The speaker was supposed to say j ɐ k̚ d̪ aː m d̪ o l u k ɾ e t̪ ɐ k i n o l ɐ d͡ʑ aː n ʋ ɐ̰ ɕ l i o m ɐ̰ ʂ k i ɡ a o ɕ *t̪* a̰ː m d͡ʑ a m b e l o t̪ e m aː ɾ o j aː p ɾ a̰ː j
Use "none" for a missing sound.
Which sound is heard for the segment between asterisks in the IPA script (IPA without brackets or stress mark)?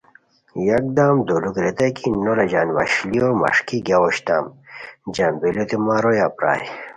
t̪